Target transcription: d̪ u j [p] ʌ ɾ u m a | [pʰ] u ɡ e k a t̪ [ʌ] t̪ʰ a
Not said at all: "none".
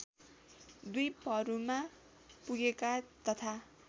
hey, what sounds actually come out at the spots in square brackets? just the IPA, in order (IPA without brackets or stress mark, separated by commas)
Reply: p, p, ʌ